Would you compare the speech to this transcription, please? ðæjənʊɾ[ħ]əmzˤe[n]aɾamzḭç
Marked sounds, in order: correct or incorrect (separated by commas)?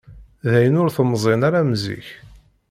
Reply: incorrect, correct